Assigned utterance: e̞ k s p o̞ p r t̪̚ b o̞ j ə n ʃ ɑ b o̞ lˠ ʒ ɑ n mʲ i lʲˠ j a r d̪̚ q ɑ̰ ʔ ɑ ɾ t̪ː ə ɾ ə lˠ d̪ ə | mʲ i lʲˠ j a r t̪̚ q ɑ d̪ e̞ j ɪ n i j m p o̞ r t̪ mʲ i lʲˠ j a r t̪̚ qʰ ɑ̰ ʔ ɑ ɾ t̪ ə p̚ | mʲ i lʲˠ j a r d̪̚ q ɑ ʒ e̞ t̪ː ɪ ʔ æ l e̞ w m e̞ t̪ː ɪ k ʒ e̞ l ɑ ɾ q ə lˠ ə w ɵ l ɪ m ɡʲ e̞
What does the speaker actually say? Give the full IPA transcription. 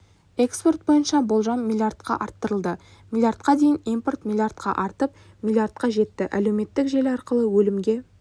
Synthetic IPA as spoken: e̞ k s p o̞ r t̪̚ b o̞ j ə n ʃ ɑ b o̞ lˠ ʒ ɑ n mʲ i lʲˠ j a r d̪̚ q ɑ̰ ʔ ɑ ɾ t̪ː ə ɾ ə lˠ d̪ ə | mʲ i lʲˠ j a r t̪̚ q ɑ d̪ e̞ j ɪ n i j m p o̞ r t̪ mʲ i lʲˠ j a r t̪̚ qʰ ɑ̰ ʔ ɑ ɾ t̪ ə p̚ | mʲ i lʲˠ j a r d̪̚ q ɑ ʒ e̞ t̪ː ɪ ʔ æ l e̞ w m e̞ t̪ː ɪ k ʒ e̞ l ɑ ɾ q ə lˠ ə w ɵ l ɪ m ɡʲ e̞